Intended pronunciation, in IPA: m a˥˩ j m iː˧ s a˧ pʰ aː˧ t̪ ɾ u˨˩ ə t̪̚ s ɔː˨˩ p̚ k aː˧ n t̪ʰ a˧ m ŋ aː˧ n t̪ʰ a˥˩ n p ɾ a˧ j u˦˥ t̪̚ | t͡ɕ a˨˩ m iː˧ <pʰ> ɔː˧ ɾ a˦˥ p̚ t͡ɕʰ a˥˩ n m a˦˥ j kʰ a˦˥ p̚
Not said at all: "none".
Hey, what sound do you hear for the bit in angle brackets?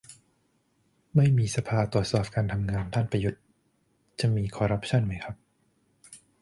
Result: kʰ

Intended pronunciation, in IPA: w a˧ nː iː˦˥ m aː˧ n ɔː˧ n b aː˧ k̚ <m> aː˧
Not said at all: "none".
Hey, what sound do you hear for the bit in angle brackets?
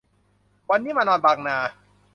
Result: n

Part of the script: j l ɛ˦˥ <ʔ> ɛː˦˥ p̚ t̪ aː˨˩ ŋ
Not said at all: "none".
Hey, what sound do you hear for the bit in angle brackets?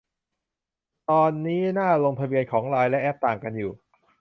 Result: ʔ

